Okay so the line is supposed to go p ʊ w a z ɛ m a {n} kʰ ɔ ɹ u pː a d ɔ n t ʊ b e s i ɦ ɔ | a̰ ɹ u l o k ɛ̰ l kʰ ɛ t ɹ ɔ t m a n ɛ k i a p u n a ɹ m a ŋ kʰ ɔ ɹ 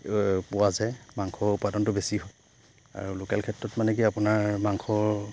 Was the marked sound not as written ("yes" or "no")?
yes